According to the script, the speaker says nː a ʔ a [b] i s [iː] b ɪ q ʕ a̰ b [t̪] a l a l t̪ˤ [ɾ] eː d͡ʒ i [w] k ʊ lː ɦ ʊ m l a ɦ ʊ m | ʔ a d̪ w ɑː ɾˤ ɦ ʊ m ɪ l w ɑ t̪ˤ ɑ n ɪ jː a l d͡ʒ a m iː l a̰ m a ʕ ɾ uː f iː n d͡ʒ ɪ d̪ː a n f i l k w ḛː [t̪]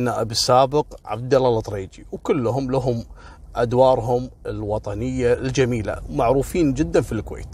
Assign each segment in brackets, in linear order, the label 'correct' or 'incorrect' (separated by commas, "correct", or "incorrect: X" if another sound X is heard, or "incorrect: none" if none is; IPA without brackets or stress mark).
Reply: correct, incorrect: aː, incorrect: d̪, correct, correct, correct